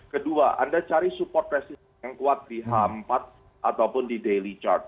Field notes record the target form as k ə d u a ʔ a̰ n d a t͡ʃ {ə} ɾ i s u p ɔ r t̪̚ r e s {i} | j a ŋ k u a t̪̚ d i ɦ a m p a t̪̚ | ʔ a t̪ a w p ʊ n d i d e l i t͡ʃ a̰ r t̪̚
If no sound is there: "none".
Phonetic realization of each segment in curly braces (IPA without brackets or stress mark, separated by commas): a, i